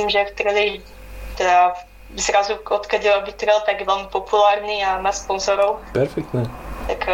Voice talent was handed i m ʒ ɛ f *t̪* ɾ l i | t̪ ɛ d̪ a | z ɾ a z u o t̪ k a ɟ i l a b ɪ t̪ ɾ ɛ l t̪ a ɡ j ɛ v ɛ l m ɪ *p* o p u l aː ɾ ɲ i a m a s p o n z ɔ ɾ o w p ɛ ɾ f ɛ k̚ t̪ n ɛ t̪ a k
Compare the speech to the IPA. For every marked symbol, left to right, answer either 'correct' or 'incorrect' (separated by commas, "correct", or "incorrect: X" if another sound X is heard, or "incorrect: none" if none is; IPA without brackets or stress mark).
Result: correct, correct